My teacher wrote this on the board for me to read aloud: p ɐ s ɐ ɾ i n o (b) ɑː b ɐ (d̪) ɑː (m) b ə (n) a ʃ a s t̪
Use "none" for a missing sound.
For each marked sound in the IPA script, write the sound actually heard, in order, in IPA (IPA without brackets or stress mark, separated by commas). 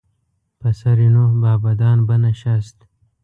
b, d̪, n, n